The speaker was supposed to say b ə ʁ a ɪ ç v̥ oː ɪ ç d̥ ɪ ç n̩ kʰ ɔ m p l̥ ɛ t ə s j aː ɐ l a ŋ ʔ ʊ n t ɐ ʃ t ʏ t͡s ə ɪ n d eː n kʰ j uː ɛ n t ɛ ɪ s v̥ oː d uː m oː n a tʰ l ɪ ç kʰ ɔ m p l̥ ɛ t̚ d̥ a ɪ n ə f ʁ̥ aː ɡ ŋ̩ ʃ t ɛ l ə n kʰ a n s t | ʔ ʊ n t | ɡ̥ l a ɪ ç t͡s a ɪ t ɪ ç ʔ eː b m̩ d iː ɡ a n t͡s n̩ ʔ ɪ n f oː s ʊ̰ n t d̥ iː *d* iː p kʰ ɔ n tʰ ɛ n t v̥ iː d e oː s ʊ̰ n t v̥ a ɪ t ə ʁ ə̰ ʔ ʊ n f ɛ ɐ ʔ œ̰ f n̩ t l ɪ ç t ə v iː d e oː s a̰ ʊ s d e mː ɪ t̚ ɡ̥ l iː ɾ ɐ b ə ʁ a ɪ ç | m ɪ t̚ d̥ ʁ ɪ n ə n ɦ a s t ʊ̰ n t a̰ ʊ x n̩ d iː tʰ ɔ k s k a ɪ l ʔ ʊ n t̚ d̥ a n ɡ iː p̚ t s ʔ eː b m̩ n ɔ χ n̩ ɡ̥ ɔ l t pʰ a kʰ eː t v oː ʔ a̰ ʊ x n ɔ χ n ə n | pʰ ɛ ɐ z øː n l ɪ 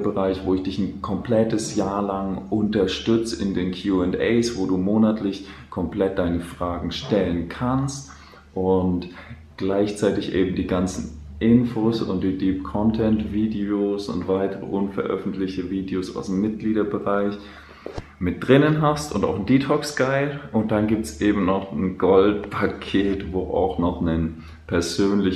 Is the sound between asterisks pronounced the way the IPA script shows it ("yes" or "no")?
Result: yes